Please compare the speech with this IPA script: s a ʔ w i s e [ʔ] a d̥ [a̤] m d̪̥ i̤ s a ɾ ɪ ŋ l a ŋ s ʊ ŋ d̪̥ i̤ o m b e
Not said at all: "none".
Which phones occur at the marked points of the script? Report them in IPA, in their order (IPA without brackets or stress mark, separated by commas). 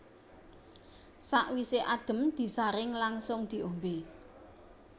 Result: ʔ, ə̤